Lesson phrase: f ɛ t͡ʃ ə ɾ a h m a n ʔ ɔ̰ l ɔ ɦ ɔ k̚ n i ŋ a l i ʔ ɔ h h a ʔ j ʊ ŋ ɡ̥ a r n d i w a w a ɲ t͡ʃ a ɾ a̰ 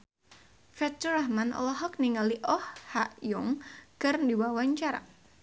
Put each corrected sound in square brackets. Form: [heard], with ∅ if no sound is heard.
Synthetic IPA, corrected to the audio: f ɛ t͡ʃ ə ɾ a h m a n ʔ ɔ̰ l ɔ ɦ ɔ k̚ n i ŋ a l i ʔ ɔ h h a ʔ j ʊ ŋ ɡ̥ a r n d i w a w a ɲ t͡ʃ a ɾ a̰